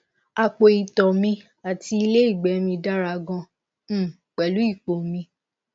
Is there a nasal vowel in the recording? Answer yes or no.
yes